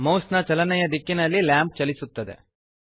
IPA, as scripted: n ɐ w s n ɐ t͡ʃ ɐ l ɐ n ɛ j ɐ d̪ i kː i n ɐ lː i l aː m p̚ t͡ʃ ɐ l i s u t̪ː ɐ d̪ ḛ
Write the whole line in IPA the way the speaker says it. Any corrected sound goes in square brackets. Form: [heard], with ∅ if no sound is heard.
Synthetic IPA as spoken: [m] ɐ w s n ɐ t͡ʃ ɐ l ɐ n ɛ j ɐ d̪ i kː i n ɐ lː i l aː m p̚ t͡ʃ ɐ l i s u t̪ː ɐ d̪ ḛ